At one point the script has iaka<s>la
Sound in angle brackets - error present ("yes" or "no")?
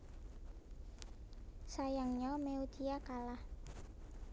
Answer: yes